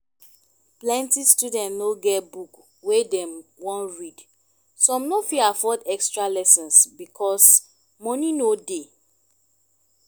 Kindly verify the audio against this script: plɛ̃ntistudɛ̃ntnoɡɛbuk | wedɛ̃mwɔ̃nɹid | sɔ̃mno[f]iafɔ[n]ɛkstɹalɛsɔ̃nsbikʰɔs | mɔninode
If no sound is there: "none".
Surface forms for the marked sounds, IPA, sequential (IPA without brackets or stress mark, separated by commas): f, d